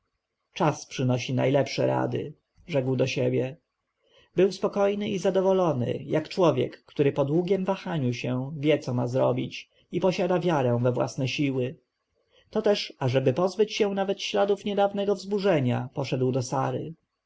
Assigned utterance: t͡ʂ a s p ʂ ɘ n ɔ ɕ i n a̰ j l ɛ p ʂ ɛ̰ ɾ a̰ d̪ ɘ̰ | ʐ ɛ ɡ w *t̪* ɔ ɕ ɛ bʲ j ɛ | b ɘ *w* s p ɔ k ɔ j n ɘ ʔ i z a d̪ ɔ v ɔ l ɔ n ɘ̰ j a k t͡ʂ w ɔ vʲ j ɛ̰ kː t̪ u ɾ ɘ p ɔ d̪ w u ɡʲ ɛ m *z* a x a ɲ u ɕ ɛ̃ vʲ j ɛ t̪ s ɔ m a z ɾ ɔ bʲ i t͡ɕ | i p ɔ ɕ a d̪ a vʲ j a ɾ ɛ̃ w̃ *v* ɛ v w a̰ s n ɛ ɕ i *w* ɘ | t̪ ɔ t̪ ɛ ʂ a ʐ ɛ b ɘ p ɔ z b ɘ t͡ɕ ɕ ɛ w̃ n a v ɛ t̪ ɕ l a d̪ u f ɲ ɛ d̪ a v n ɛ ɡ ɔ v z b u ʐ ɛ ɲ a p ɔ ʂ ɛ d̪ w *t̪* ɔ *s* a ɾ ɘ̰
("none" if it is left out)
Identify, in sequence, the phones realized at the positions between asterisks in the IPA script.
d̪, w, v, v, w, d̪, s

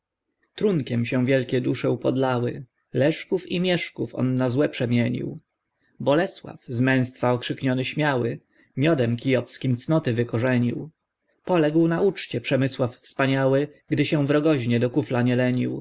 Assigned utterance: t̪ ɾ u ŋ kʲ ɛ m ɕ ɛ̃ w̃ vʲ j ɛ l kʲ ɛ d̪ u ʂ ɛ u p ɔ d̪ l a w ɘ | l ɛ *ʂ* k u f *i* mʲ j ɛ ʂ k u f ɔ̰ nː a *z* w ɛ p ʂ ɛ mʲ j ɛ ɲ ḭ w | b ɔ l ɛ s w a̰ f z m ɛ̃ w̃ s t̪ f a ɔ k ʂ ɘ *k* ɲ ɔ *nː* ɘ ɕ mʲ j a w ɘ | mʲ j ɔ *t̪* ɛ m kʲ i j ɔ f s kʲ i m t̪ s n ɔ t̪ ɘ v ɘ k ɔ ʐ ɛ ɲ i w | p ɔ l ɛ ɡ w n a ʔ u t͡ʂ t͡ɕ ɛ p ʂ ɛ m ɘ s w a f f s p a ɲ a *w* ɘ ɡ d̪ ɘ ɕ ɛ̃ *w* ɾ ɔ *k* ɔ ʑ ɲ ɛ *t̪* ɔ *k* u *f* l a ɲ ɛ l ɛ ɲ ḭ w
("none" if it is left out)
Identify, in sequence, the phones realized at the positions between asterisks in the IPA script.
ʂ, i, z, k, n, d̪, w, v, ɡ, d̪, k, f

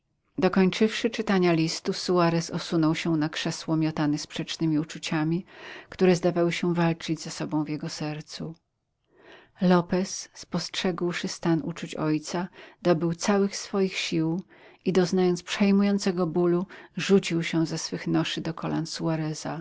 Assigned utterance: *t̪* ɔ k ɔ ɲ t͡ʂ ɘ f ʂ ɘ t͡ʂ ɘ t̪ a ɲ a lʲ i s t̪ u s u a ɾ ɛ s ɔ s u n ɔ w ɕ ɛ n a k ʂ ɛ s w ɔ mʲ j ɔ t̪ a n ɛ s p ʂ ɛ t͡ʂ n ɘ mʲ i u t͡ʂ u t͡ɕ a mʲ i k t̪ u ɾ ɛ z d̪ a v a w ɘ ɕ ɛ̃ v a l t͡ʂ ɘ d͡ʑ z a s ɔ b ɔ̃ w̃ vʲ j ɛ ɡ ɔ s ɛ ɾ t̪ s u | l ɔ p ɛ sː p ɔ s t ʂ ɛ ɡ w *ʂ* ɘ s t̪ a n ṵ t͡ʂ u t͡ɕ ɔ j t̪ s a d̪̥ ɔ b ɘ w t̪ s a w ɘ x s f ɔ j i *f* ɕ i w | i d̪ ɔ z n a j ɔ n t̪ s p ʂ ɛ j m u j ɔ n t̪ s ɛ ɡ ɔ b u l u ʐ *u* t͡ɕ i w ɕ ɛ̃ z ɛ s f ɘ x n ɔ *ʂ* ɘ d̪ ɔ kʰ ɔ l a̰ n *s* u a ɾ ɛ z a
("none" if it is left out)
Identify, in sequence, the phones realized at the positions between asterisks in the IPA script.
d̪, ʂ, x, u, ʂ, s

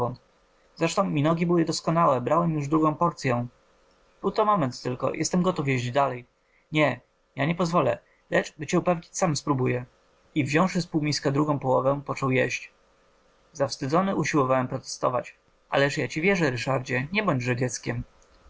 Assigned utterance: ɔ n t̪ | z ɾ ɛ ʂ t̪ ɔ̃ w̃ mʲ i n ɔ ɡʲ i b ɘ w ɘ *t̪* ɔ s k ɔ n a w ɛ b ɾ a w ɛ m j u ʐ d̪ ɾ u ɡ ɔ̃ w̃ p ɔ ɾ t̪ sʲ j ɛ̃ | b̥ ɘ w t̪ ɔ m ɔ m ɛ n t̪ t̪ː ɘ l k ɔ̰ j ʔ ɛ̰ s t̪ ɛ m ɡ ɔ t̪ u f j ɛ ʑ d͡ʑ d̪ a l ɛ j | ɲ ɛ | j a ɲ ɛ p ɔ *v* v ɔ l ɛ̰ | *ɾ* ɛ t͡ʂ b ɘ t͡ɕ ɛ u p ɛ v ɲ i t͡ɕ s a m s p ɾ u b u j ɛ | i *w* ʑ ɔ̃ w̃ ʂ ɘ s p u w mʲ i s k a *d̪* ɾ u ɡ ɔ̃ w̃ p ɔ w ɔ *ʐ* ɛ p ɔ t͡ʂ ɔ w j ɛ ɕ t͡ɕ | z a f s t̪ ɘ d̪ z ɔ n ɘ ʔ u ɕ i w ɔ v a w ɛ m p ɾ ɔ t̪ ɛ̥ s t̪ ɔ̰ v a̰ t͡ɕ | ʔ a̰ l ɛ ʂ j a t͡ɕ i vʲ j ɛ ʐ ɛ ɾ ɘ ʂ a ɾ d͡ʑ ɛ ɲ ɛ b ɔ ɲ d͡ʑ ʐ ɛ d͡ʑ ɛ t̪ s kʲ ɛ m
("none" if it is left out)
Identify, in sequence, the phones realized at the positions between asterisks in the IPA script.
d̪, z, l, v, d̪, v

